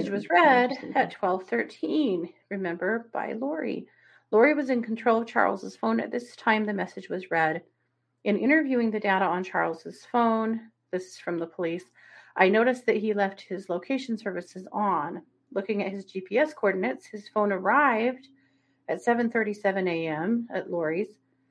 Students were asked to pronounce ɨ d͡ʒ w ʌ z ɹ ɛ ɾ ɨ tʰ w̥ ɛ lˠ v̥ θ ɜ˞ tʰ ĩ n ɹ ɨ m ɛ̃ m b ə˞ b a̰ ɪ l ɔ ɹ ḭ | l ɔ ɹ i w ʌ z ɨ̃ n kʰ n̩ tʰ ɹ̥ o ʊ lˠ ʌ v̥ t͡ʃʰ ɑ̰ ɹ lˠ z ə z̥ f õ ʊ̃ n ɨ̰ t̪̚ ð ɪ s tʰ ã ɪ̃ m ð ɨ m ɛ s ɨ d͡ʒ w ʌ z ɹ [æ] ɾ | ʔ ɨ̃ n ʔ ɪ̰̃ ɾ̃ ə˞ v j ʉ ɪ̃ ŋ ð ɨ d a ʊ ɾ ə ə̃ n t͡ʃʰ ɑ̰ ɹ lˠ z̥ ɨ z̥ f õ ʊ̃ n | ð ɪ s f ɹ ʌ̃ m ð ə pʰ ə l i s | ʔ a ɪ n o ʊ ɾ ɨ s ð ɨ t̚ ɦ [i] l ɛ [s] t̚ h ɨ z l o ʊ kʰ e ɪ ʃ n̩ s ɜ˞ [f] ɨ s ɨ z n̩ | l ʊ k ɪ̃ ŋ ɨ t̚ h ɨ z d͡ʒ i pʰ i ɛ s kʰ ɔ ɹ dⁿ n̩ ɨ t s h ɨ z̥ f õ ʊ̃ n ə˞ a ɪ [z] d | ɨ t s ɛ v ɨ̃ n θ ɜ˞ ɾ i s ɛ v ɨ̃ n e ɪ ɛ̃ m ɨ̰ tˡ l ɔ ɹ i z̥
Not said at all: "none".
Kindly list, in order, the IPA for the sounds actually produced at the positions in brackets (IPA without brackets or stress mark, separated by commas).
ɛ, i, f, v, v